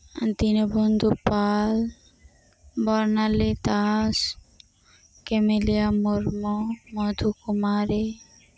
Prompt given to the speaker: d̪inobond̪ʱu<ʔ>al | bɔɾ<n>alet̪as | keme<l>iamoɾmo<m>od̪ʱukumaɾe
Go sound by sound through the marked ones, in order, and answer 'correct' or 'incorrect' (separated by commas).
incorrect, correct, correct, correct